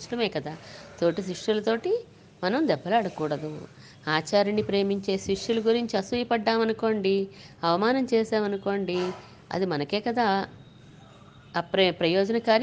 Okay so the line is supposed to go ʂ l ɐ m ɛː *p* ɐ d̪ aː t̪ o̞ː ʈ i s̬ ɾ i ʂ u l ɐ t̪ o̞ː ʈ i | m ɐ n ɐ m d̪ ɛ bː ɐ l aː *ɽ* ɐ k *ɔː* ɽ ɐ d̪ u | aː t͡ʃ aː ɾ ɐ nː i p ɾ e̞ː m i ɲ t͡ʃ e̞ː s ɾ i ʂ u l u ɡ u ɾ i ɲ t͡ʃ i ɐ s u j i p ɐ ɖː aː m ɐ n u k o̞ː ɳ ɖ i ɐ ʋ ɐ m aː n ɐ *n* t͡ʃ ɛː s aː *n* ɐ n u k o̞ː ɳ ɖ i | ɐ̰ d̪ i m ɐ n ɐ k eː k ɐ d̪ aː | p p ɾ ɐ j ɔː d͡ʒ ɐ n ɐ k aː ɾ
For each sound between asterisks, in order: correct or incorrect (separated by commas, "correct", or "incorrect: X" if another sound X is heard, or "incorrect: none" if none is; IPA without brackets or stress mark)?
incorrect: k, correct, incorrect: uː, incorrect: m, incorrect: m